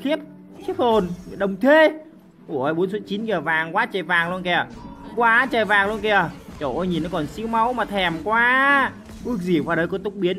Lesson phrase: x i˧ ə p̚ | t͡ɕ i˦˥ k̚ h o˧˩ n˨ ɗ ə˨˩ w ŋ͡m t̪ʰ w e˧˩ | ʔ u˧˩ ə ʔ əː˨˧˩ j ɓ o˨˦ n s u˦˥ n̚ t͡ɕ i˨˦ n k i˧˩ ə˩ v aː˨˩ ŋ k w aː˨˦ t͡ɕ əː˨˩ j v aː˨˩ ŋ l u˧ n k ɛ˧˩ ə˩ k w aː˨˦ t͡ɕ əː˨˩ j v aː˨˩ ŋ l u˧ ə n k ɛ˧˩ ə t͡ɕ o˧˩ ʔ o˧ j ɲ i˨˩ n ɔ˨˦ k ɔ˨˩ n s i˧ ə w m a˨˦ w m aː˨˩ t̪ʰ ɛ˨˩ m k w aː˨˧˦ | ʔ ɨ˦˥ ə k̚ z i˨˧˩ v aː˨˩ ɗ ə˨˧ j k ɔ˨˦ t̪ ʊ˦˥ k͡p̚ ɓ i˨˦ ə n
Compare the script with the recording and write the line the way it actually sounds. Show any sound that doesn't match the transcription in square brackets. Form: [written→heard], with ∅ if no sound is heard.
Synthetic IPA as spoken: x [i˧→i˦˥] ə p̚ | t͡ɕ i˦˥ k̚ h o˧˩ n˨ ɗ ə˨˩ w ŋ͡m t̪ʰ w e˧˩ | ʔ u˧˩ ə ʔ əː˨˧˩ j ɓ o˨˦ n s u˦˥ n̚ t͡ɕ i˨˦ n k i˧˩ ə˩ v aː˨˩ ŋ k w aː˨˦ t͡ɕ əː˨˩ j v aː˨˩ ŋ l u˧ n k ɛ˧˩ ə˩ k w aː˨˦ t͡ɕ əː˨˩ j v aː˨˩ ŋ l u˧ ə n k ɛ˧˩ ə t͡ɕ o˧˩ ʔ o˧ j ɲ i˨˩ n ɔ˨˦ k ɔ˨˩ n s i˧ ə w m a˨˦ w m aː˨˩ t̪ʰ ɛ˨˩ m k w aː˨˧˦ | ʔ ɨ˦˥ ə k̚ z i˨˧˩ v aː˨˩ ɗ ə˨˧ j k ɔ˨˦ t̪ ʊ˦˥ k͡p̚ ɓ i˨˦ ə n

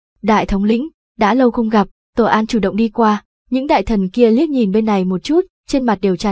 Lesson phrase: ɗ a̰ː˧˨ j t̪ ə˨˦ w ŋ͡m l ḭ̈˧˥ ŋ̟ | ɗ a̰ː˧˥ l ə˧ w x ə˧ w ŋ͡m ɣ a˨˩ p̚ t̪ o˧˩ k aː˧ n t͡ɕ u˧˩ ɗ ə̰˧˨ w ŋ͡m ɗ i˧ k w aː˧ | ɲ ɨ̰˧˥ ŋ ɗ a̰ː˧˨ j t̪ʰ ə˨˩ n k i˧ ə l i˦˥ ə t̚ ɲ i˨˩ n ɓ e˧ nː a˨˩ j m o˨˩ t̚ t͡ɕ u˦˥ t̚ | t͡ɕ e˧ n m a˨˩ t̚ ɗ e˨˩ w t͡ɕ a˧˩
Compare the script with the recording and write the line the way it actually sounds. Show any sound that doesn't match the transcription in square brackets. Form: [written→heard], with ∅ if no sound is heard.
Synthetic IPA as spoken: ɗ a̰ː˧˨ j [t̪→t̪ʰ] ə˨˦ w ŋ͡m l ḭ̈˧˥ ŋ̟ | ɗ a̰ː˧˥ l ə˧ w x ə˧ w ŋ͡m ɣ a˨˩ p̚ t̪ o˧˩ [k→ʔ] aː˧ n t͡ɕ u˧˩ ɗ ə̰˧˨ w ŋ͡m ɗ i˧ k w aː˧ | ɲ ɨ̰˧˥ ŋ ɗ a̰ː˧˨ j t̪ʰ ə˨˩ n k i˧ ə l i˦˥ ə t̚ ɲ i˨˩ n ɓ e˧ nː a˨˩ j m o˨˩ t̚ t͡ɕ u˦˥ t̚ | t͡ɕ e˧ n m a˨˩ t̚ ɗ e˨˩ w t͡ɕ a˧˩

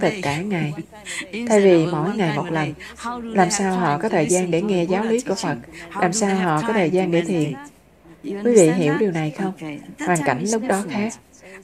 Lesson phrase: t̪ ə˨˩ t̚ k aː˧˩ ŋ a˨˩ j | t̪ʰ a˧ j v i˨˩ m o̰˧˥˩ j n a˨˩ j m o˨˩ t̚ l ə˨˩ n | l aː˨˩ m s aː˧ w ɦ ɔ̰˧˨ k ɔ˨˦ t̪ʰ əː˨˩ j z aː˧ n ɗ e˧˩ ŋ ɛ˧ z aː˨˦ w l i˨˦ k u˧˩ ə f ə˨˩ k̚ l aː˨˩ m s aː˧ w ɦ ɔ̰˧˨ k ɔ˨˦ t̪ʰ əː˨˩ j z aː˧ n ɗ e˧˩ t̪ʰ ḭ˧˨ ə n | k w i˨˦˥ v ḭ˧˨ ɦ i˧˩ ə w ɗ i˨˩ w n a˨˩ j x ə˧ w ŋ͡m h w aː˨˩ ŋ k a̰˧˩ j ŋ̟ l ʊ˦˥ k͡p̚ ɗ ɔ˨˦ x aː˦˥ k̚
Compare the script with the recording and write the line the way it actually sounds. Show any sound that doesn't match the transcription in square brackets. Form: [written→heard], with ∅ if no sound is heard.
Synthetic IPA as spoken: t̪ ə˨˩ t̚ k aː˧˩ ŋ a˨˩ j | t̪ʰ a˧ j v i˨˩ m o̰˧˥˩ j [n→ŋ] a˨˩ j m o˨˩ t̚ l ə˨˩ n | l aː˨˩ m s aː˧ w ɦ ɔ̰˧˨ k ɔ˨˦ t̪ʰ əː˨˩ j z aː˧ n ɗ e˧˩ ŋ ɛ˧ z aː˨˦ w l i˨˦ k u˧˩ ə f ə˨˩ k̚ l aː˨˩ m s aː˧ w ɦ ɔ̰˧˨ k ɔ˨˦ t̪ʰ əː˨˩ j z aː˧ n ɗ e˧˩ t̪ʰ ḭ˧˨ ə n | k w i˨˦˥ v ḭ˧˨ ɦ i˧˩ ə w ɗ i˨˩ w n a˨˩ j x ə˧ w ŋ͡m h w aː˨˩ ŋ k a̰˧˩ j ŋ̟ l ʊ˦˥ k͡p̚ ɗ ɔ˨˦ x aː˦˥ k̚

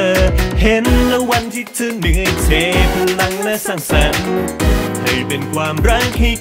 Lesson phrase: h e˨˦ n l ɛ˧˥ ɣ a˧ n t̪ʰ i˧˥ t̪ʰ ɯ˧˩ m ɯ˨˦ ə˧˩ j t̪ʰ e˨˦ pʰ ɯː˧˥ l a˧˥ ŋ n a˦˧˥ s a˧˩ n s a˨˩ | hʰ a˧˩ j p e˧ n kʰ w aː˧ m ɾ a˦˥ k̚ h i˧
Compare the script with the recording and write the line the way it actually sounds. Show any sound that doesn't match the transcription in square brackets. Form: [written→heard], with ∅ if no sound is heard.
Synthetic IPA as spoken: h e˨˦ n l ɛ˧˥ [ɣ→w] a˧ n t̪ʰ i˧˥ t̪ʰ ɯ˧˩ [m→n] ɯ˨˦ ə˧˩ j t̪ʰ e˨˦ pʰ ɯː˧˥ l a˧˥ ŋ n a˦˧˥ s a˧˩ [n→ŋ] s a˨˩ | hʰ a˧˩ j p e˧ n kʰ w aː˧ m ɾ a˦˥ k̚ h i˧

